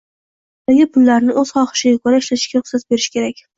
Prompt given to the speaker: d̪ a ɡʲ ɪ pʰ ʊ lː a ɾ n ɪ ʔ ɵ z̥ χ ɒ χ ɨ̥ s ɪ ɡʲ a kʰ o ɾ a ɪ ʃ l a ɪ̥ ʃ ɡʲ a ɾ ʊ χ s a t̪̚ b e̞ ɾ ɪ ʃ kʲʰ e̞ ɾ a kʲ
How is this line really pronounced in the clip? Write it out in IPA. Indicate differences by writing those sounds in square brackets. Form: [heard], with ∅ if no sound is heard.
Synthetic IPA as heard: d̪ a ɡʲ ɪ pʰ ʊ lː a ɾ n ɪ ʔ ɵ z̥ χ ɒ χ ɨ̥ [ʃ] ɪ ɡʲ a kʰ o ɾ a ɪ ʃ l a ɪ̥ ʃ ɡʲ a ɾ ʊ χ s a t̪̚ b e̞ ɾ ɪ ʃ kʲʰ e̞ ɾ a kʲ

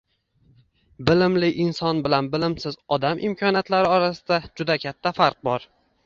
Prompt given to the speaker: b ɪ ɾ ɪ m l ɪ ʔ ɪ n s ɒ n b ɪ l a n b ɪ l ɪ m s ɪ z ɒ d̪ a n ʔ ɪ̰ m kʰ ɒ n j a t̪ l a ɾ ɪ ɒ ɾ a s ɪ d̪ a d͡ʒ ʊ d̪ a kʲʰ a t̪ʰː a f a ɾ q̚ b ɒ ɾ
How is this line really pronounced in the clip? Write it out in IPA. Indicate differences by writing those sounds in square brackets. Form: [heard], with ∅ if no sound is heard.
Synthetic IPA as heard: b ɪ [l] ɪ m l ɪ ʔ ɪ n s ɒ n b ɪ l a n b ɪ l ɪ m s ɪ z ɒ d̪ a [m] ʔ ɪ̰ m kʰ ɒ n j a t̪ l a ɾ ɪ ɒ ɾ a s ɪ d̪ a d͡ʒ ʊ d̪ a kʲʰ a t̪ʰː a f a ɾ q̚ b ɒ ɾ

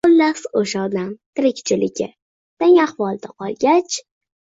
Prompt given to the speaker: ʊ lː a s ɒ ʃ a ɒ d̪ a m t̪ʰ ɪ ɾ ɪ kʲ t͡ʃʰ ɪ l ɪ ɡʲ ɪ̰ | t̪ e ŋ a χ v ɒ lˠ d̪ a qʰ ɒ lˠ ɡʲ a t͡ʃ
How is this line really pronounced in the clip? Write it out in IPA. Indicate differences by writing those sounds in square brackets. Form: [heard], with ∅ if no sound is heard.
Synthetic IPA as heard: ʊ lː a s [o] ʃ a ɒ d̪ a m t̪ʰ ɪ ɾ ɪ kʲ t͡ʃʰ ɪ l ɪ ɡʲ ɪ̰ | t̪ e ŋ a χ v ɒ lˠ d̪ a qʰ ɒ lˠ ɡʲ a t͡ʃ

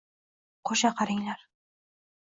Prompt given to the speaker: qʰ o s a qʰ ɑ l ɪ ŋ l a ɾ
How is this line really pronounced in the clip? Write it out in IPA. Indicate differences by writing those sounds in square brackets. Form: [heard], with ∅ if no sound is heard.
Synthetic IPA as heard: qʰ o [ʃ] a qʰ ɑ [ɾ] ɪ ŋ l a ɾ

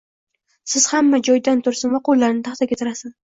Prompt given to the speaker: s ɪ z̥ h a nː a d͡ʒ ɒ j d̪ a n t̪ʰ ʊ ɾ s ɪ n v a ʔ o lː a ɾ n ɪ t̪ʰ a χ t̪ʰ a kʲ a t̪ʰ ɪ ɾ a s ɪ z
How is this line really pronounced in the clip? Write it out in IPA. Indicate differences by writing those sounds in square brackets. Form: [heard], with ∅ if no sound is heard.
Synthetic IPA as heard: s ɪ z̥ h a [mː] a d͡ʒ ɒ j d̪ a n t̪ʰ ʊ ɾ s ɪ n v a [q] o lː a ɾ n ɪ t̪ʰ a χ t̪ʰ a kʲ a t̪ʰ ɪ ɾ a s ɪ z

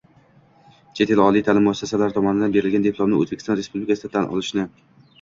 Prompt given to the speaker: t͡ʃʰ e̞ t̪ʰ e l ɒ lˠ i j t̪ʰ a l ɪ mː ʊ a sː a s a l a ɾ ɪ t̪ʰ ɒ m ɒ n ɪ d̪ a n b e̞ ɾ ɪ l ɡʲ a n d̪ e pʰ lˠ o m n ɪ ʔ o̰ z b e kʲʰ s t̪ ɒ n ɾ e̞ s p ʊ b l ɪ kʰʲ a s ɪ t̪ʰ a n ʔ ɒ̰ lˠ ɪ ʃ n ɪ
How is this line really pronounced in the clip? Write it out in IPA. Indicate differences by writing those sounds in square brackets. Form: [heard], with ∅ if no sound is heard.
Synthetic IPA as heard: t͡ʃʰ e̞ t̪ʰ e l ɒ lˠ i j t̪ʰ a l ɪ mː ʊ a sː a s a l a ɾ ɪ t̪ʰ ɒ m ɒ n ɪ d̪ a n b e̞ ɾ ɪ l ɡʲ a n d̪ e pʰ lˠ o m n ɪ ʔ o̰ z b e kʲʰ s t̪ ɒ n ɾ e̞ s p [u] b l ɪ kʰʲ a s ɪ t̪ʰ a n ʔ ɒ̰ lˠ ɪ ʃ n ɪ

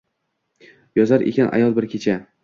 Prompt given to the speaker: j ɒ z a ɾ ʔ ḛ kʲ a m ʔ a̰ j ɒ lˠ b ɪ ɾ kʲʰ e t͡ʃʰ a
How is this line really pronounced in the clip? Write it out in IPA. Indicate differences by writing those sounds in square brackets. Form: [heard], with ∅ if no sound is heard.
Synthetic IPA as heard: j ɒ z a ɾ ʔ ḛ kʲ a [n] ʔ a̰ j ɒ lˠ b ɪ ɾ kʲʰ e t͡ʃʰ a

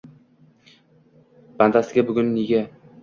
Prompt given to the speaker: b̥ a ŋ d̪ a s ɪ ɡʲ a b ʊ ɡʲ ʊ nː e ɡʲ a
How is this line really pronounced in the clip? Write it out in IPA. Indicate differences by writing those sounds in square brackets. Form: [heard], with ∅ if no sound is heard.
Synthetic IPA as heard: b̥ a [n] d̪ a s ɪ ɡʲ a b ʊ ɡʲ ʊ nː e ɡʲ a

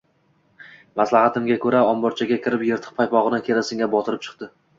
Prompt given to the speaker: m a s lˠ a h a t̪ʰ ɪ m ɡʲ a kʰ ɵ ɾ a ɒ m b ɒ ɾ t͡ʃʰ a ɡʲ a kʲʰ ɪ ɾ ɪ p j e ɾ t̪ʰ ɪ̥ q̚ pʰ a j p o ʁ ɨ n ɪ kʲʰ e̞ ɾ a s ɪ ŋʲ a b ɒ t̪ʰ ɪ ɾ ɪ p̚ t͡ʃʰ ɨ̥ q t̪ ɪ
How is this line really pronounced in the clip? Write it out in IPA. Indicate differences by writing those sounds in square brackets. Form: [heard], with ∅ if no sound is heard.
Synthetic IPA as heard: m a s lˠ a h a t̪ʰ ɪ m ɡʲ a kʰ ɵ ɾ a ɒ m b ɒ ɾ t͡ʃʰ a ɡʲ a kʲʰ ɪ ɾ ɪ p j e ɾ t̪ʰ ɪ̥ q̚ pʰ a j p [ɒ] ʁ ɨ n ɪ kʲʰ e̞ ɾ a s ɪ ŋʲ a b ɒ t̪ʰ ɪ ɾ ɪ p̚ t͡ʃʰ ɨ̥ q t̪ ɪ

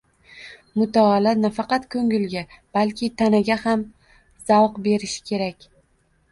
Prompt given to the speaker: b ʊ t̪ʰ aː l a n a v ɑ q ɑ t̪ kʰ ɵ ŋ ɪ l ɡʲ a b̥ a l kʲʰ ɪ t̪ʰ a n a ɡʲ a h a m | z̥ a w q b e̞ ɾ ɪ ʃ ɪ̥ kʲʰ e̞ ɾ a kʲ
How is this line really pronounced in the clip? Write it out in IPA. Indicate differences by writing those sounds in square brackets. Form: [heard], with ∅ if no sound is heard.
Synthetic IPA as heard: [m] ʊ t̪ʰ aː l a n a [f] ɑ q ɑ t̪ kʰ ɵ ŋ ɪ l ɡʲ a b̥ a l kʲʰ ɪ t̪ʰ a n a ɡʲ a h a m | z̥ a w q b e̞ ɾ ɪ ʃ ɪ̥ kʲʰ e̞ ɾ a kʲ

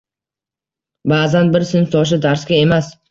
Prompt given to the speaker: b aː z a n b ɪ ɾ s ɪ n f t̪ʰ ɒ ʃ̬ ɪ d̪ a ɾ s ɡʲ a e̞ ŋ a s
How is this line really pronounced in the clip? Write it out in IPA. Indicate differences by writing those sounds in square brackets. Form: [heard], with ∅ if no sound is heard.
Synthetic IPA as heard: b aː z a n b ɪ ɾ s ɪ n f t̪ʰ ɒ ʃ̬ ɪ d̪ a ɾ s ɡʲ a e̞ [m] a s

